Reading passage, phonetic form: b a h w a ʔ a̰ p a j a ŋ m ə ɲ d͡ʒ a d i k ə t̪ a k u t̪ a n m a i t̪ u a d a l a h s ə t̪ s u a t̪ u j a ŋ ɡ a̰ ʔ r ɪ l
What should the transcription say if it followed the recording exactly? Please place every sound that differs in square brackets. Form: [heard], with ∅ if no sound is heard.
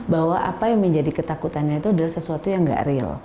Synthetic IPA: b a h w a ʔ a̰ p a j a ŋ m ə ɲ d͡ʒ a d i k ə t̪ a k u t̪ a n [ɲ] a i t̪ u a d a l a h s ə [∅] s u a t̪ u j a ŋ ɡ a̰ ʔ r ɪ l